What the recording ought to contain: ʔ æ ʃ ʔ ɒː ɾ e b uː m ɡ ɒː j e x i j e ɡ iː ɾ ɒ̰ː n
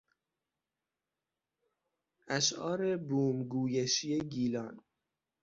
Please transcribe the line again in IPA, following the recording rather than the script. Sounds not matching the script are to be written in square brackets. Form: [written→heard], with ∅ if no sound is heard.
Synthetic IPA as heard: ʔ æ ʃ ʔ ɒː ɾ e b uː m ɡ [ɒː→uː] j e [x→ʃ] i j e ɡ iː [ɾ→l] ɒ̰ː n